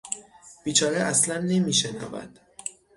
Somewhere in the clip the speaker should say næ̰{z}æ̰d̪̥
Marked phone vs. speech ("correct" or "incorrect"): incorrect